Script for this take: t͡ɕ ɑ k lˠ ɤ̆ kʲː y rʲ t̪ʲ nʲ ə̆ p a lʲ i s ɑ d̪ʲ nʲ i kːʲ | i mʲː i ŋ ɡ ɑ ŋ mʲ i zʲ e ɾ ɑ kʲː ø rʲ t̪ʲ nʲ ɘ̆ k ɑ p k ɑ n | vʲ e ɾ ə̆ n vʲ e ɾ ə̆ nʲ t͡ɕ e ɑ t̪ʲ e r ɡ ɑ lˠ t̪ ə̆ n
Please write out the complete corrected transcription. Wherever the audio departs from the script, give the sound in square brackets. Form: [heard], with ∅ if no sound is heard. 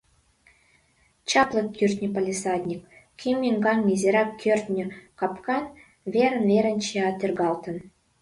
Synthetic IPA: t͡ɕ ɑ [p] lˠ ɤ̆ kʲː y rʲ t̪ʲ nʲ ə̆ p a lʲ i s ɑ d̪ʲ nʲ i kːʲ | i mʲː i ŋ ɡ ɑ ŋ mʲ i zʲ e ɾ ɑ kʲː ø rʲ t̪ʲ nʲ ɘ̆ k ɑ p k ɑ n | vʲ e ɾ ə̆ n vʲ e ɾ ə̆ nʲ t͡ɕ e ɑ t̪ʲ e r ɡ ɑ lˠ t̪ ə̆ n